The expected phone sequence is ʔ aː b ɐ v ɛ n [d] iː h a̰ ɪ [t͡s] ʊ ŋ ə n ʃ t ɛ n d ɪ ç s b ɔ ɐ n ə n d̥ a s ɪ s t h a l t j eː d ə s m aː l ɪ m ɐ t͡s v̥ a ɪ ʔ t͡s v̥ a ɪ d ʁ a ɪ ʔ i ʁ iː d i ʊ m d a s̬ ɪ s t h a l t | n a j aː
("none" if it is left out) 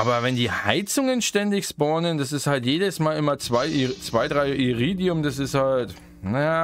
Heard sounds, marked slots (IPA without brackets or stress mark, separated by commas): d, t͡s